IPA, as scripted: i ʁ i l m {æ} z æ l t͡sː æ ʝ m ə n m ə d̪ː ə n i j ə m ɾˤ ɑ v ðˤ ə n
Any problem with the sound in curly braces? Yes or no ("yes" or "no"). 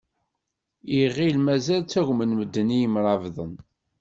no